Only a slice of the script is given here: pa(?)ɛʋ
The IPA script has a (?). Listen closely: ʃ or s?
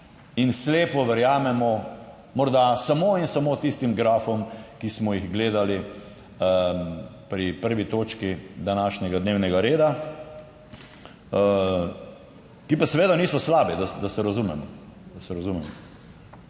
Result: s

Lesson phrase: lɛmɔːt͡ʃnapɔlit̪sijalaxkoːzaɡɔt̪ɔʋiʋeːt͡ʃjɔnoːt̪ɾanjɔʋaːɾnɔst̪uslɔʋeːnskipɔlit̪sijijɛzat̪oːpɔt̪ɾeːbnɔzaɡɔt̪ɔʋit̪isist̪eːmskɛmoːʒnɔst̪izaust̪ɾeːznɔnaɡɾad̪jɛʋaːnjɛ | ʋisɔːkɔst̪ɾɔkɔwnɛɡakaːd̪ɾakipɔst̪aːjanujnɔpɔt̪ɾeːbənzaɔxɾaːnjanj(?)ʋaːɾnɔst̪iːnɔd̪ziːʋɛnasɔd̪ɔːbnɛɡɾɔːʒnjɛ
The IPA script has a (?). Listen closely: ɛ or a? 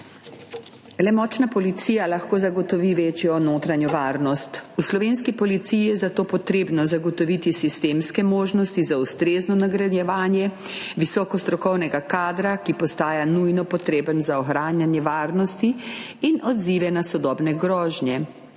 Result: ɛ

